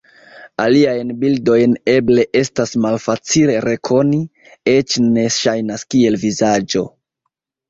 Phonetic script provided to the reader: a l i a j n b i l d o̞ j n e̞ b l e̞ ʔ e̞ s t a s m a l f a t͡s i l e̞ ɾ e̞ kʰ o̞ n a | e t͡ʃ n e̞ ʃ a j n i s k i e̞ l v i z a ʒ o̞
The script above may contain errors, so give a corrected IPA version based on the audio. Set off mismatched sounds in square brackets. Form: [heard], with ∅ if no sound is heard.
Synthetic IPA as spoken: a l i a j n b i l d o̞ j n e̞ b l e̞ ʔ e̞ s t a s m a l f a t͡s i l e̞ ɾ e̞ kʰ o̞ n [i] | e t͡ʃ n e̞ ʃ a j n [a] s k i e̞ l v i z a [d͡ʒ] o̞